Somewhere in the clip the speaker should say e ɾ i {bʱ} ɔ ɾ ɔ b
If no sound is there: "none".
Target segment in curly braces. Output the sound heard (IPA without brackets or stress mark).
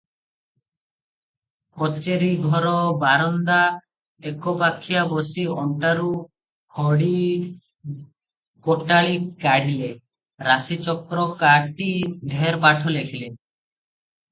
ɡʱ